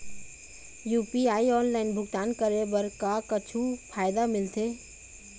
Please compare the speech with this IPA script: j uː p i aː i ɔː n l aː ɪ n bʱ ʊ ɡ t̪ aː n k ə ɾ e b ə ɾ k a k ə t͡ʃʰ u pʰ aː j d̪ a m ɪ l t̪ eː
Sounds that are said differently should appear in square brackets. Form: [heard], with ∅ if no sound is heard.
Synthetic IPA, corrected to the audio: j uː p i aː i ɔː n l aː ɪ n bʱ ʊ ɡ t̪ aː n k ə ɾ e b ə ɾ k a k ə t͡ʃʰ u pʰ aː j d̪ a m ɪ l t̪ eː